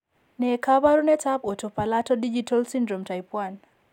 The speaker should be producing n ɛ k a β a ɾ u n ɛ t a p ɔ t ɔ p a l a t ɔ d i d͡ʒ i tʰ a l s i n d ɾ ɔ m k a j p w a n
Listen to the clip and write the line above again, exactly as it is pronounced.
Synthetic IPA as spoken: n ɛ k a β a ɾ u n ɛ t a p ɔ t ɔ p a l a t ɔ d i d͡ʒ i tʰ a l s i n d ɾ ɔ m t a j p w a n